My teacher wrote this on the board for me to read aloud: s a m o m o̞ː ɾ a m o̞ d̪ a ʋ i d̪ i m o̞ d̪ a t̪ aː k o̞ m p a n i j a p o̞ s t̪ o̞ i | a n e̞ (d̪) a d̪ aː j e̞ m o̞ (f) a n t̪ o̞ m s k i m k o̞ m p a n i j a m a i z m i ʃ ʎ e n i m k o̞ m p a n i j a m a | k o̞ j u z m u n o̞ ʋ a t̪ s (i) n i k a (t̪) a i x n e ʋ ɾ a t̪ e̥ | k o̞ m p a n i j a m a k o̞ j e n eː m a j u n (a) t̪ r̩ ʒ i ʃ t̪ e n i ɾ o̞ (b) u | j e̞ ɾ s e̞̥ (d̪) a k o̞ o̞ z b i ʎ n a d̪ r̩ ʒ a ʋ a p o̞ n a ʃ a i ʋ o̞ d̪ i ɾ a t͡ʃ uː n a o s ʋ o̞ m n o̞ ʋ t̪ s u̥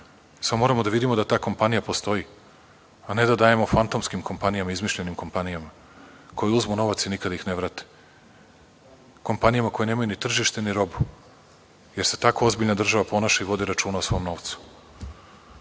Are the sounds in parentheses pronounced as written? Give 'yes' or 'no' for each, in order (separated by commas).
yes, yes, yes, no, no, yes, no